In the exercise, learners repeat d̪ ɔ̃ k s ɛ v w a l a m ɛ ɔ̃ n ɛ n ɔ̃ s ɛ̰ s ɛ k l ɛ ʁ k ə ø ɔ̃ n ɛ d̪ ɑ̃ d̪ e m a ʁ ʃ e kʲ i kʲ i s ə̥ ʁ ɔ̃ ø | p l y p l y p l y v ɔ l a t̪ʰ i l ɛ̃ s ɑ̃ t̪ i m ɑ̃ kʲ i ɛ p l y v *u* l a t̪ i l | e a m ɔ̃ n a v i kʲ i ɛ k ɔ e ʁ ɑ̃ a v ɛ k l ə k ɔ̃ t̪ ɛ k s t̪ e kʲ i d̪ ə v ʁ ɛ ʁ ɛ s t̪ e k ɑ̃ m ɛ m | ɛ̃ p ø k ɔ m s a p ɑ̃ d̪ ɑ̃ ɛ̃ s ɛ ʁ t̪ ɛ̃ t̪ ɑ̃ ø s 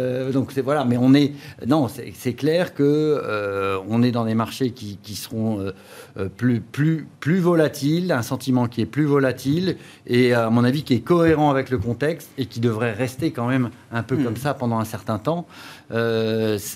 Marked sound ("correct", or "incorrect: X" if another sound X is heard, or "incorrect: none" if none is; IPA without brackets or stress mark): incorrect: ɔ